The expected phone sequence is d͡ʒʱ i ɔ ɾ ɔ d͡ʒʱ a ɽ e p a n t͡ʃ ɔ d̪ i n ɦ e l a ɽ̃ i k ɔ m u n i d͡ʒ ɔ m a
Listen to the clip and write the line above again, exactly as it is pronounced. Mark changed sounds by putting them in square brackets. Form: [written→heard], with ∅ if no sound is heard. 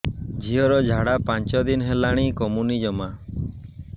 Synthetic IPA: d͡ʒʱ i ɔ ɾ ɔ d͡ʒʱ a ɽ [e→a] p a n t͡ʃ ɔ d̪ i n ɦ e l a ɽ̃ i k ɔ m u n i d͡ʒ ɔ m a